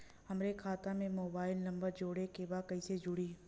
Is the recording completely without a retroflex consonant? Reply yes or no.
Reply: no